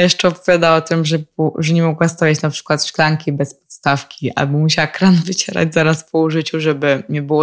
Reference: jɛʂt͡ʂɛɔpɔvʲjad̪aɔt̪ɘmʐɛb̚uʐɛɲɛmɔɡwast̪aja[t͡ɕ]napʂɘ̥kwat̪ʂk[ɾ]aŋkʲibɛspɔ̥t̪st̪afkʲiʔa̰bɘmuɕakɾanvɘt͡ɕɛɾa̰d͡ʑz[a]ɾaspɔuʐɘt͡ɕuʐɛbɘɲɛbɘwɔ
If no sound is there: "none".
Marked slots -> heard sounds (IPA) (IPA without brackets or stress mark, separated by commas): t͡ɕ, l, a